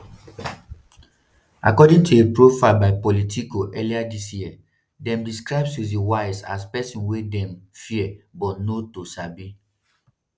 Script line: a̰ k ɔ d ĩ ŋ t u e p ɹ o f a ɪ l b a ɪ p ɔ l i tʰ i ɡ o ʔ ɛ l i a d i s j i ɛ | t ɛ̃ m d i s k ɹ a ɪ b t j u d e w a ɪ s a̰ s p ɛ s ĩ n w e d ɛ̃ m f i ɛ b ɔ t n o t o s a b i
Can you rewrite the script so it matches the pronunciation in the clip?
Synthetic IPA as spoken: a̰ k ɔ d ĩ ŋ t u e p ɹ o f a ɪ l b a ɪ p ɔ l i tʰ i k o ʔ ɛ l i a d i s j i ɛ | d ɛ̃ m d i s k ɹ a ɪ b s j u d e w a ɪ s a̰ s p ɛ s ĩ n w e d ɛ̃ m f i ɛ b ɔ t n o t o s a b i